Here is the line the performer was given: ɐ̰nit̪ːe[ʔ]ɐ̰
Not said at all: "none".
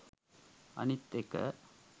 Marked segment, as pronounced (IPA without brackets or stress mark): k